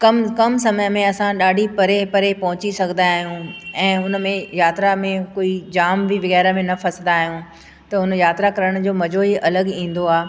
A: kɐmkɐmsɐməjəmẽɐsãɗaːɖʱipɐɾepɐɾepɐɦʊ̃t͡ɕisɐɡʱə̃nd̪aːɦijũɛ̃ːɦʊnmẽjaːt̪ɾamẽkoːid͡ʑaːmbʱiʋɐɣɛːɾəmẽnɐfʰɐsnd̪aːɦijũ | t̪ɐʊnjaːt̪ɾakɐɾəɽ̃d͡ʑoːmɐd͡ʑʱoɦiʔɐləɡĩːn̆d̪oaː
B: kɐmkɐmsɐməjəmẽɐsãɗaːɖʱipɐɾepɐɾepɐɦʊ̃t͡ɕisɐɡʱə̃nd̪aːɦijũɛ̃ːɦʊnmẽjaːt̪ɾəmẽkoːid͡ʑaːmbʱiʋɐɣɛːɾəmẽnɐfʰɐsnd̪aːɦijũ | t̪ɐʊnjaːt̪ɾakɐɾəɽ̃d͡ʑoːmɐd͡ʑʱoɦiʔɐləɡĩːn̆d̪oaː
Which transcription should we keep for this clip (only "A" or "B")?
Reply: A